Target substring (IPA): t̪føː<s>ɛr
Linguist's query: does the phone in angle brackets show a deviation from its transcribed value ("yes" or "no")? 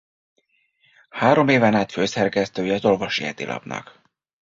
no